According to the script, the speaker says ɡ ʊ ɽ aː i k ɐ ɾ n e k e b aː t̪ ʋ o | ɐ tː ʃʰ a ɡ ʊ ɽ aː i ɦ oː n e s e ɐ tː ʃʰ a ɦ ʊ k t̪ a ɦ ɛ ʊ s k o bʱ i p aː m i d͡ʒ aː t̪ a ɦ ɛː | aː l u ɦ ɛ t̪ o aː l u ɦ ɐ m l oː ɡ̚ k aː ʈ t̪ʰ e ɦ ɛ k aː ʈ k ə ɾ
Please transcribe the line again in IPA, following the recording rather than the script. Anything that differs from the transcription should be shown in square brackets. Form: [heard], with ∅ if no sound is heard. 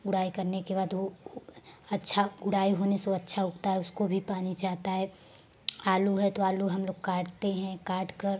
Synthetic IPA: ɡ ʊ ɽ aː i k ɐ ɾ n e k e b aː [d̪] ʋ o | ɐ tː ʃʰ a ɡ ʊ ɽ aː i ɦ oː n e s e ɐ tː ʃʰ a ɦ ʊ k t̪ a ɦ ɛ ʊ s k o bʱ i p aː [n] i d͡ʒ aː t̪ a ɦ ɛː | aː l u ɦ ɛ t̪ o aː l u ɦ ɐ m l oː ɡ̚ k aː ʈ [t̪] e ɦ [ɛ̃] k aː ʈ k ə ɾ